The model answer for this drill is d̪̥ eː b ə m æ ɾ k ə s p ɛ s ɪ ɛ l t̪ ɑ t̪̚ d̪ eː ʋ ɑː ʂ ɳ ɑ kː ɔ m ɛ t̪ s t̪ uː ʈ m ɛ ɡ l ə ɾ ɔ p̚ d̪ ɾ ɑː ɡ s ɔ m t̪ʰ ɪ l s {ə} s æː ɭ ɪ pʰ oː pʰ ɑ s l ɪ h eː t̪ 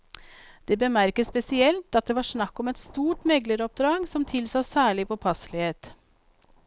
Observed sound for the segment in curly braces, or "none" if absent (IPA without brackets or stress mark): ɑ